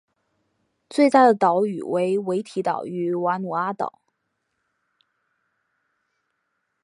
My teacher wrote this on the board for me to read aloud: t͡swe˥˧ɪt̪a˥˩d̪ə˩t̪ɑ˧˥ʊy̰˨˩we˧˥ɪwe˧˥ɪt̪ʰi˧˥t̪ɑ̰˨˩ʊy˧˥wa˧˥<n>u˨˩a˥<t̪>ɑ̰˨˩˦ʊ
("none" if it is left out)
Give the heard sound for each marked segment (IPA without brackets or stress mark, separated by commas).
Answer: n, t̪